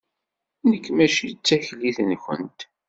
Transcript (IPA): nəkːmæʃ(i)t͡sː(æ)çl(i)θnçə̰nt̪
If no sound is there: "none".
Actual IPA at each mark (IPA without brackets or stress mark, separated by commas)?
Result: i, æ, i